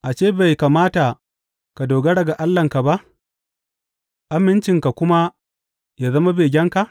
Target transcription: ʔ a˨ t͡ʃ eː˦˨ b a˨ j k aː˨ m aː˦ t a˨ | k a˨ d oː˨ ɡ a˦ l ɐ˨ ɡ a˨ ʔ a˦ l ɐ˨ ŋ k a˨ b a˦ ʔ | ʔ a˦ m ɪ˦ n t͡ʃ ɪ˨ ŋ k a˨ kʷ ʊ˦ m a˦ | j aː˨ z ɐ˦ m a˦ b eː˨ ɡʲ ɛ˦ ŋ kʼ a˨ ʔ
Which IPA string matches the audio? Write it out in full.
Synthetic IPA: ʔ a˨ t͡ʃ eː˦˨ b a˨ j k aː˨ m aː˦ t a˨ | k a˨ d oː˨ ɡ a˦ ɽ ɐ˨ ɡ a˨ ʔ a˦ lː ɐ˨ ŋ k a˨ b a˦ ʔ | ʔ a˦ m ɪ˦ n t͡ʃ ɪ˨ ŋ k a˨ kʷ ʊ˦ m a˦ | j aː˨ z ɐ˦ m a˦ b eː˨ ɡʲ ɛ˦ ŋ k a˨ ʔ